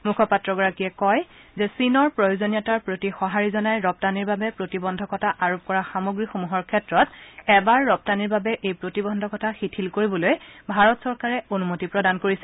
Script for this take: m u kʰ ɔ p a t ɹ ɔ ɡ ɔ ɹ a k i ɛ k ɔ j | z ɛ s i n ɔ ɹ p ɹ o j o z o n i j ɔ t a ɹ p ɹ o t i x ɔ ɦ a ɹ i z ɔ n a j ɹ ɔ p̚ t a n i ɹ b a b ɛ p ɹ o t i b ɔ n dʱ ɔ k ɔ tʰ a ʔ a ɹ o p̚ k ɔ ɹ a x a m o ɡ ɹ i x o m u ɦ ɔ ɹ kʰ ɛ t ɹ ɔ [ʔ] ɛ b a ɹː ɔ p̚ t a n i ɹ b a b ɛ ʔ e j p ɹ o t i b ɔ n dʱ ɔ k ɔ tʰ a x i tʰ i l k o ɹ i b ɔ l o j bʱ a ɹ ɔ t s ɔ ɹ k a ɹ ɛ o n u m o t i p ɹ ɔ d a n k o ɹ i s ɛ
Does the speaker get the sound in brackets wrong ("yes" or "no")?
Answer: yes